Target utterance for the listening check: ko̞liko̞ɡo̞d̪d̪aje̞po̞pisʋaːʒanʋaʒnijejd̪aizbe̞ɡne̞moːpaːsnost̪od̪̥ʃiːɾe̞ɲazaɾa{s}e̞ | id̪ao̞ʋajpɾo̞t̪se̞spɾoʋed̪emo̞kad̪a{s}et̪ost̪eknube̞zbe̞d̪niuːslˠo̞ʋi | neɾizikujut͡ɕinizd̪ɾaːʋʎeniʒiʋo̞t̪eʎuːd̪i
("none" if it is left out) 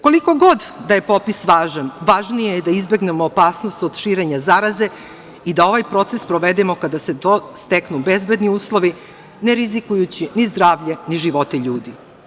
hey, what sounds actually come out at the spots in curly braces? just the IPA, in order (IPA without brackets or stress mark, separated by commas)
z, s